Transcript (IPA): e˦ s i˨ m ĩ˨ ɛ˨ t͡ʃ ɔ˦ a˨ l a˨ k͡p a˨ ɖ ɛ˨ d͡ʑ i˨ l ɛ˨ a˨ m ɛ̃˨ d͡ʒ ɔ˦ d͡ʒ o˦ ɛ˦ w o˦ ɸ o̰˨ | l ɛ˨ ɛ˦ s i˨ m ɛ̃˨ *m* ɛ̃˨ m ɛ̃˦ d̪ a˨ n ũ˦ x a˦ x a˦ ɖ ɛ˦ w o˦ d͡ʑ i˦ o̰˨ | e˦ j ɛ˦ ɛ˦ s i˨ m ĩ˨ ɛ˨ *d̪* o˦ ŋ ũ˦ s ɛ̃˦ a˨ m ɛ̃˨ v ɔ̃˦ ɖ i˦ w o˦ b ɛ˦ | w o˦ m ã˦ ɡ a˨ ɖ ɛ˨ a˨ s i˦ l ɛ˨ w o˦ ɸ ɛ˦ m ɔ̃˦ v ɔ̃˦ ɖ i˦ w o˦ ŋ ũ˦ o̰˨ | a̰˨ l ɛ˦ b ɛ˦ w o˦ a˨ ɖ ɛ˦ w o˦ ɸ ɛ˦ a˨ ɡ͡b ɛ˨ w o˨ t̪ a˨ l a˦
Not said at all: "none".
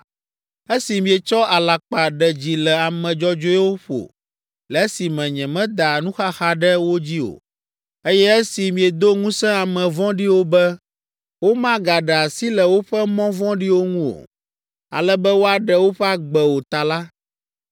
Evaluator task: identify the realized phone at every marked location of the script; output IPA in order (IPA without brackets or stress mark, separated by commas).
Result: ɲ, d̪